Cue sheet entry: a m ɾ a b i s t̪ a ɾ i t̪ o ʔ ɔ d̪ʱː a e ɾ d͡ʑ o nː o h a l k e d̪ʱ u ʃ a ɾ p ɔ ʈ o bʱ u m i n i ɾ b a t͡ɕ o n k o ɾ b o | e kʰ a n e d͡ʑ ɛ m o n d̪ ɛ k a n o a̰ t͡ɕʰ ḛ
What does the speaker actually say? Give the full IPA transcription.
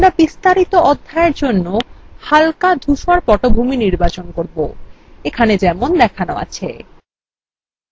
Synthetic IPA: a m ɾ a b i s t̪ a ɾ i t̪ o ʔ ɔ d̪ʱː a e ɾ d͡ʑ o nː o h a l k a d̪ʱ u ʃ a ɾ p ɔ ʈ o bʱ u m i n i ɾ b a t͡ɕ o n k o ɾ b o | e kʰ a n e d͡ʑ ɛ m o n d̪ ɛ kʰ a n o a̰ t͡ɕʰ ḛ